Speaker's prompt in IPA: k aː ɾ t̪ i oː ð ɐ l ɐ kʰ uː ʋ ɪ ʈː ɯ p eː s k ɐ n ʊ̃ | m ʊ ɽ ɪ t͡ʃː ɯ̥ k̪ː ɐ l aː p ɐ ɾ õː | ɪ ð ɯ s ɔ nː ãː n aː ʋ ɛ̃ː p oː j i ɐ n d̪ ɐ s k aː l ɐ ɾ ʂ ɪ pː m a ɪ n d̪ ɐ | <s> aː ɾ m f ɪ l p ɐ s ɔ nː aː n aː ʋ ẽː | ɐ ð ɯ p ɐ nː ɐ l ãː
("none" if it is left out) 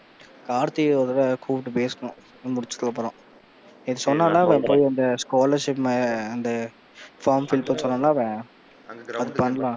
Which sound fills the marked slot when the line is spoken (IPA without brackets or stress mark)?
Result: f